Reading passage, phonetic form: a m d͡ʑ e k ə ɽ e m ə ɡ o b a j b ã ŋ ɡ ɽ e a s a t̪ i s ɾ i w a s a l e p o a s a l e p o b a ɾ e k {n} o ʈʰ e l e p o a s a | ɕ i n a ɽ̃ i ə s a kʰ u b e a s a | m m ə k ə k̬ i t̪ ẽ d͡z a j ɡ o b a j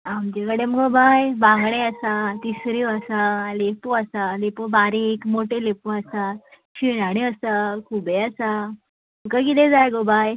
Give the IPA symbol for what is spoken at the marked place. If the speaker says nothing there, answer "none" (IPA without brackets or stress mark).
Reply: m